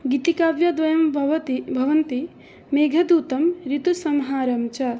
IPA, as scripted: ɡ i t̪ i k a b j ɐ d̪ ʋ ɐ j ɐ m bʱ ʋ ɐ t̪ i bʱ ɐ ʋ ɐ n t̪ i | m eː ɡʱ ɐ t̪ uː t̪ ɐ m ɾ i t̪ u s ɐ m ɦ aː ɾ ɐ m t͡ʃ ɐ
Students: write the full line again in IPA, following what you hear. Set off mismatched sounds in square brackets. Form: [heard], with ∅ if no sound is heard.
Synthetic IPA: ɡ i t̪ i k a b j ɐ d̪ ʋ ɐ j ɐ m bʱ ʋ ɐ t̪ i bʱ ɐ ʋ ɐ n t̪ i | m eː ɡʱ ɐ [d̪] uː t̪ ɐ m ɾ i t̪ u s ɐ m ɦ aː ɾ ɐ m t͡ʃ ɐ